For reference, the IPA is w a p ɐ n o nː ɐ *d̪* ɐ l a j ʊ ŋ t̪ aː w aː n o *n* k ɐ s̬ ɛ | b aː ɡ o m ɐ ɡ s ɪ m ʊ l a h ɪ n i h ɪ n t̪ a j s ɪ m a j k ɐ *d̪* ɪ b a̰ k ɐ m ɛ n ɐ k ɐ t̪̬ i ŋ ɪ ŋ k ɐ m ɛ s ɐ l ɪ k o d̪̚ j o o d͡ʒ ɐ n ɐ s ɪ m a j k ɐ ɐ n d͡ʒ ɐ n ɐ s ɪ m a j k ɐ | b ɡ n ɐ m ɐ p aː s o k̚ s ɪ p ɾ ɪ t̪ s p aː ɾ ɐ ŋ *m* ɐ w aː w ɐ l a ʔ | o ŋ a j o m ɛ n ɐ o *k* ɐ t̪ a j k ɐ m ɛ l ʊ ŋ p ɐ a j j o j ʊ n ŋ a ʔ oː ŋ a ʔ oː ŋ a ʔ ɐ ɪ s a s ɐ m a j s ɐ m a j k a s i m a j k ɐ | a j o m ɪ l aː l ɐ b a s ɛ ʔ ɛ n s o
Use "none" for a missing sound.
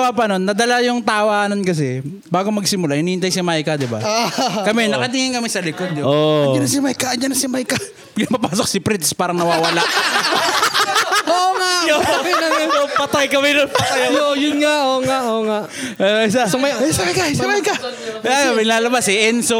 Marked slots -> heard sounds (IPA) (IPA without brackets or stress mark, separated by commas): d̪, n, d̪, n, p